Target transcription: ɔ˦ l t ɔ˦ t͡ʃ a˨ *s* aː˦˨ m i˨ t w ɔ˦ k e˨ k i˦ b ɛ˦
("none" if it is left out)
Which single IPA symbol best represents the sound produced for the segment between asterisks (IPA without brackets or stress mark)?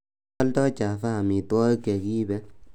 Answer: f